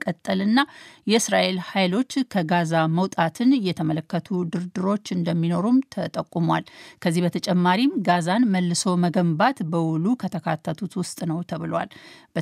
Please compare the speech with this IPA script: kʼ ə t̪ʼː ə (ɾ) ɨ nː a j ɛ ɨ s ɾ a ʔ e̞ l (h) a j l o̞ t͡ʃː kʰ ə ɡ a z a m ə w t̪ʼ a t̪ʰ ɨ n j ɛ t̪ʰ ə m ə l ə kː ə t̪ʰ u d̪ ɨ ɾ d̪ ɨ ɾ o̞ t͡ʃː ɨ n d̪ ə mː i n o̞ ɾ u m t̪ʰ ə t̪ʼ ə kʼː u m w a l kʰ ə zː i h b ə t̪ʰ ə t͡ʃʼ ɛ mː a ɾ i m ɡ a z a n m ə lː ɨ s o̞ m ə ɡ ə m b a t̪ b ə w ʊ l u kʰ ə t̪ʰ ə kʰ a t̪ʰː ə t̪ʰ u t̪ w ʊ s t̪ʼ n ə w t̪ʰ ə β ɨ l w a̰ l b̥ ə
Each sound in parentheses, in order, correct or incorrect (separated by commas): incorrect, correct